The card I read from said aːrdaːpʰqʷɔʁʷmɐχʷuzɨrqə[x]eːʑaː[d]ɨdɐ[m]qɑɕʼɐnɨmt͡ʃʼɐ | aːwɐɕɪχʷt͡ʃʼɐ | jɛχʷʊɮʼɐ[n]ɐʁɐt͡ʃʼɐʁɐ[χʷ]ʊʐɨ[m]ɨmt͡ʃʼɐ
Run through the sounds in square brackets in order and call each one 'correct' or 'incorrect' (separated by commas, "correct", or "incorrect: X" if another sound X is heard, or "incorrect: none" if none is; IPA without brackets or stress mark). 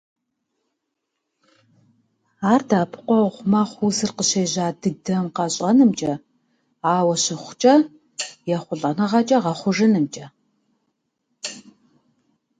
incorrect: ɕ, correct, correct, correct, correct, incorrect: n